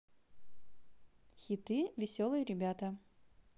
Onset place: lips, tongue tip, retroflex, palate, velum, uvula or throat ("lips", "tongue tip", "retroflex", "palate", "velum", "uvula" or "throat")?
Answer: velum